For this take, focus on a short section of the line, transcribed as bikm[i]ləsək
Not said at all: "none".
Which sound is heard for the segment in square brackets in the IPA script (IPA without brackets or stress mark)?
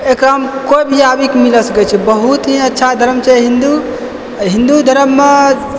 i